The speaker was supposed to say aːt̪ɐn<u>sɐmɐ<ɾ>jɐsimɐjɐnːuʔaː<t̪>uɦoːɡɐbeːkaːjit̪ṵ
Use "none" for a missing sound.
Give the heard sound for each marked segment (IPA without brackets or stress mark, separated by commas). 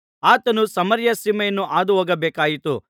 u, ɾ, d̪